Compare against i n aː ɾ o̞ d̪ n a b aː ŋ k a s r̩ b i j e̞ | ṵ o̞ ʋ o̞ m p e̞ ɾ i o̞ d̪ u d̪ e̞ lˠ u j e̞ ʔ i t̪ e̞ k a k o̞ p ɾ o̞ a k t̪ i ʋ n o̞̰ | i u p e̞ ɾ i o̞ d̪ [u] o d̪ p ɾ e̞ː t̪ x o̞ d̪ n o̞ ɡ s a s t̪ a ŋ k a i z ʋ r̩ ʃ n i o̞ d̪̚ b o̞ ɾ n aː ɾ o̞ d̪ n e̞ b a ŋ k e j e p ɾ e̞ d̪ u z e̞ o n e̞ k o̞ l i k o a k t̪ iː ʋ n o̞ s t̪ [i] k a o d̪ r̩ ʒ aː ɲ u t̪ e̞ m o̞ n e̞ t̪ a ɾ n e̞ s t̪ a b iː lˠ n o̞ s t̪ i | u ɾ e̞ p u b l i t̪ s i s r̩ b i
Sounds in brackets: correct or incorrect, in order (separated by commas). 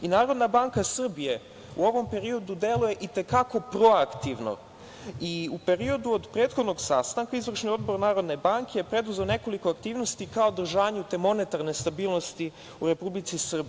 correct, correct